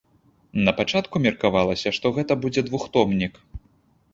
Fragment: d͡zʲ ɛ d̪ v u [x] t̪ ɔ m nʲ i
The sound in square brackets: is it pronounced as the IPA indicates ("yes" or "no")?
yes